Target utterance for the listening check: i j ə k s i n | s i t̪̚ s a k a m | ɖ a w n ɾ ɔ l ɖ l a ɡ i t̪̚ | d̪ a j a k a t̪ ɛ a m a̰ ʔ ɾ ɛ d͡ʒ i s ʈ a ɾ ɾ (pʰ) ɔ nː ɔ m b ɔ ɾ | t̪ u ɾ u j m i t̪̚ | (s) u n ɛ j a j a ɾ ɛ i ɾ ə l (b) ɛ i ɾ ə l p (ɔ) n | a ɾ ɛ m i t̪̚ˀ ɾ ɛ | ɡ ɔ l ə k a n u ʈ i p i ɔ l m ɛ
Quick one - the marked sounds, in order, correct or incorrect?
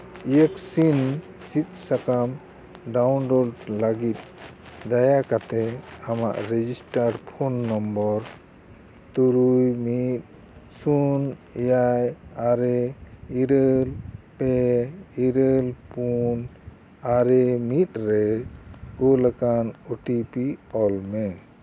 correct, correct, incorrect, incorrect

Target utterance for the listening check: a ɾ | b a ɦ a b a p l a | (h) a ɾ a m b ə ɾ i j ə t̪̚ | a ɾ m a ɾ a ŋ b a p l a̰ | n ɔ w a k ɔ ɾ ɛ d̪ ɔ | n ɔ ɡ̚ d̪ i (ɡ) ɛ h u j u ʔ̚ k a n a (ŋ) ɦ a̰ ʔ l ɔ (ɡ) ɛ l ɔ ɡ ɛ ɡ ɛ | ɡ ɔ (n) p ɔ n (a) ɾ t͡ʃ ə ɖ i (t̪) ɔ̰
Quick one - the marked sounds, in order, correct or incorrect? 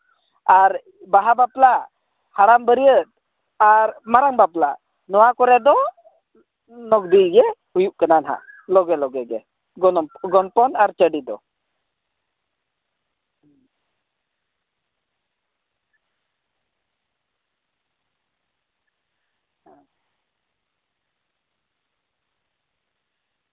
correct, correct, incorrect, correct, correct, correct, incorrect

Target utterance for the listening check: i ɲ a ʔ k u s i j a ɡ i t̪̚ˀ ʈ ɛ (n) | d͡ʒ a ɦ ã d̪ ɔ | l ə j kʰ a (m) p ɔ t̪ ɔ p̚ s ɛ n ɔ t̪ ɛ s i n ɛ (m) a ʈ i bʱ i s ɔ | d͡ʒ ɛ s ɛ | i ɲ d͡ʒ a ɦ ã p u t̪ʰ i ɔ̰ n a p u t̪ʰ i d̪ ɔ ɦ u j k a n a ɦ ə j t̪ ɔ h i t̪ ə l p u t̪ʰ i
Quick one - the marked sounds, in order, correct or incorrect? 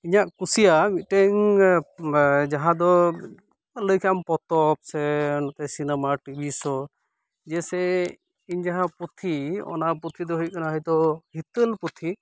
incorrect, correct, correct

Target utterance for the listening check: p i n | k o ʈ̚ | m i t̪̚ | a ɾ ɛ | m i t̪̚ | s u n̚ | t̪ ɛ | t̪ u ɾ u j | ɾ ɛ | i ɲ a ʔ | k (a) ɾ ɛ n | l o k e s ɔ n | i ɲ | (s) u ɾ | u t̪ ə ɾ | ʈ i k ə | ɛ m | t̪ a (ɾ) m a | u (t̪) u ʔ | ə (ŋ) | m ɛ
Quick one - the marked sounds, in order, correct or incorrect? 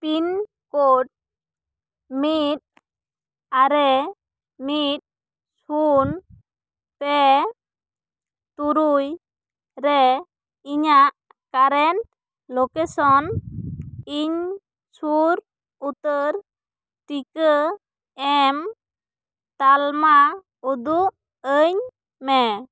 correct, correct, incorrect, incorrect, incorrect

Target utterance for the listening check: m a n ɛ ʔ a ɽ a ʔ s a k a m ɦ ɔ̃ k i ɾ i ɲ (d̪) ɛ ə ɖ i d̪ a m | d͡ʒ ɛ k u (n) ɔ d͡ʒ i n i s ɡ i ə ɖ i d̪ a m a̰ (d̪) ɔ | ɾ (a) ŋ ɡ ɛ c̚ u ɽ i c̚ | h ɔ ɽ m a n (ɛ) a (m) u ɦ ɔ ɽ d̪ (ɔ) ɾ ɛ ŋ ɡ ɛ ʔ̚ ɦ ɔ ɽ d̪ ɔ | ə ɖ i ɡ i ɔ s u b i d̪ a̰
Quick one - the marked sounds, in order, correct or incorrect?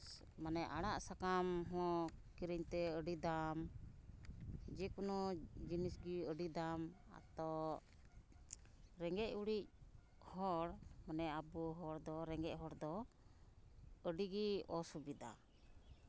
incorrect, correct, incorrect, incorrect, correct, incorrect, correct

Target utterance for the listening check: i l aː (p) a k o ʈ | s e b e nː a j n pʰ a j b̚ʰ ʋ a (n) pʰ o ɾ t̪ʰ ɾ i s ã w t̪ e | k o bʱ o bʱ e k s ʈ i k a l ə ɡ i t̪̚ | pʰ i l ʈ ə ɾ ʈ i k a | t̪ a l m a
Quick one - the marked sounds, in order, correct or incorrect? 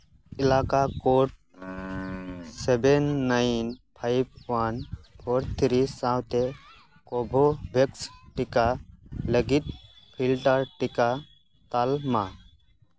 incorrect, correct

